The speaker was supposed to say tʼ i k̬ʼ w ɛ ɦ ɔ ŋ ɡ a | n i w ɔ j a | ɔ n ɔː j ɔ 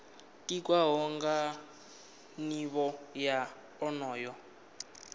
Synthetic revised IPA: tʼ i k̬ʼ w a ɦ ɔ ŋ ɡ a | n i β ɔ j a | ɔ n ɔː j ɔ